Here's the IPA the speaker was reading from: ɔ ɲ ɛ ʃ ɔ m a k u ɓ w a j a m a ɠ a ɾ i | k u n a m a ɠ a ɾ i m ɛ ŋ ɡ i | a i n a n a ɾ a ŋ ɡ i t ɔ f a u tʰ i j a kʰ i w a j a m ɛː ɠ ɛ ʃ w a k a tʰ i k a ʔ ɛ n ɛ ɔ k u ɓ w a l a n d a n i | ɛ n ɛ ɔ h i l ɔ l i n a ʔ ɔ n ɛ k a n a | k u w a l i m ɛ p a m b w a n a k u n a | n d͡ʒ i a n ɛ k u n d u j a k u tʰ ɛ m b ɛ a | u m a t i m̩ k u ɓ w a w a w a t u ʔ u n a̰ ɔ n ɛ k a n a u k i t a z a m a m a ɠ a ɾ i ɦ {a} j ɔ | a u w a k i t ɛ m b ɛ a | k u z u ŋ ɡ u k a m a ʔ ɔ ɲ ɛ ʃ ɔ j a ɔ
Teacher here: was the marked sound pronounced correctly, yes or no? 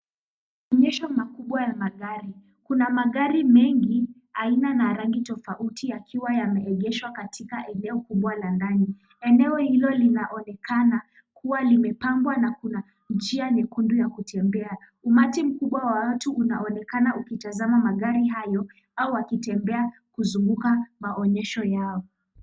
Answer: yes